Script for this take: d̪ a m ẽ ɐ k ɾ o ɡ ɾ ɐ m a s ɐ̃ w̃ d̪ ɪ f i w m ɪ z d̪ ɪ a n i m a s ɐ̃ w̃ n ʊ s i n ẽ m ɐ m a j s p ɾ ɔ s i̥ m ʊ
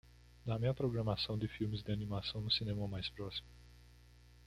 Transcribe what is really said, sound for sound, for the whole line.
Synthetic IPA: d̪ a m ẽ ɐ p ɾ o ɡ ɾ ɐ m a s ɐ̃ w̃ d̪ ɪ f i w m ɪ z d̪ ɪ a n i m a s ɐ̃ w̃ n ʊ s i n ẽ m ɐ m a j s p ɾ ɔ s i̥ m ʊ